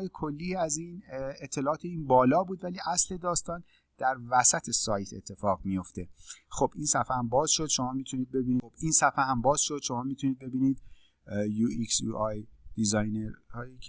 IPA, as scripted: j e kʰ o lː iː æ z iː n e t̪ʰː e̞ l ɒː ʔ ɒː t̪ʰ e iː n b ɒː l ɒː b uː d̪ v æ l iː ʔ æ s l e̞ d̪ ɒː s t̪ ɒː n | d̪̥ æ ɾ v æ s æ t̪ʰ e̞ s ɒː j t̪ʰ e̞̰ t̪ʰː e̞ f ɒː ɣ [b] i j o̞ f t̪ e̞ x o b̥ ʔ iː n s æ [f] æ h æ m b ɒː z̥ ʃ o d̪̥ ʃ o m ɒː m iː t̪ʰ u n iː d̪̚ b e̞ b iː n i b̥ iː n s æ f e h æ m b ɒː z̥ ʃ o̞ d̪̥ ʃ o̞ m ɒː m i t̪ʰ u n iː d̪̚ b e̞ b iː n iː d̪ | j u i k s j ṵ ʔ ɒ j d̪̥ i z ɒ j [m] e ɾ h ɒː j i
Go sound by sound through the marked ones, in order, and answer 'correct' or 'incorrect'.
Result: incorrect, correct, incorrect

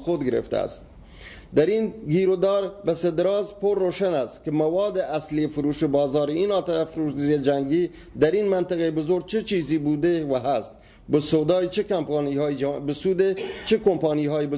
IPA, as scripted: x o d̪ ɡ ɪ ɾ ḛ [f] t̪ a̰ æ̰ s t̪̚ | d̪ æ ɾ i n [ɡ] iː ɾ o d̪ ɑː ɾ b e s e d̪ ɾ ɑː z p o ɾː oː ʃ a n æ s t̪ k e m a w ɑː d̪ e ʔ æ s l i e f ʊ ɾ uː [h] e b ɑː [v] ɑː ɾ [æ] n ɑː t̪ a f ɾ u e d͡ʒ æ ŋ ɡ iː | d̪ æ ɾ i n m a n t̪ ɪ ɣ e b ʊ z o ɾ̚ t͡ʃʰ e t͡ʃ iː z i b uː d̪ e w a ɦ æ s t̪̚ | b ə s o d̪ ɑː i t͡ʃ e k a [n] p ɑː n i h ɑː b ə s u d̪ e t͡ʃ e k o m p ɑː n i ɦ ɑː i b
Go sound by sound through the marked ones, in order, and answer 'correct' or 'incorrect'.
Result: correct, correct, incorrect, incorrect, incorrect, incorrect

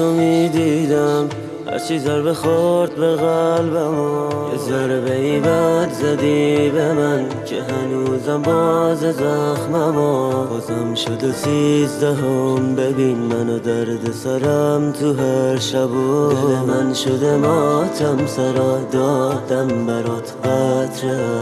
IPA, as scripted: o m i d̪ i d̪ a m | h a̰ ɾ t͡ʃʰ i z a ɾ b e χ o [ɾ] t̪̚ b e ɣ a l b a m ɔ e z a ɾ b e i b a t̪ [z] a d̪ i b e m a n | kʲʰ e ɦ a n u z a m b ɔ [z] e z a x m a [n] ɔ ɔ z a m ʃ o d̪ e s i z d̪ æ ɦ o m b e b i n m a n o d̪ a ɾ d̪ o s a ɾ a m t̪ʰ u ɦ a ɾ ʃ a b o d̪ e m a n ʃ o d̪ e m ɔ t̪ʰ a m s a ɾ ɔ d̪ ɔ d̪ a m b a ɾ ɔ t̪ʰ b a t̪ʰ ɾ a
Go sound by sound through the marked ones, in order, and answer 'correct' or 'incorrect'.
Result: correct, correct, correct, incorrect

